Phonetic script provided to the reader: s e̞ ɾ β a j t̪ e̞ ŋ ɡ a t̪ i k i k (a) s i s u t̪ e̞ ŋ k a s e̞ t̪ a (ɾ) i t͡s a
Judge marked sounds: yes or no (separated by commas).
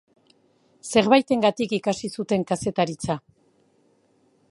yes, yes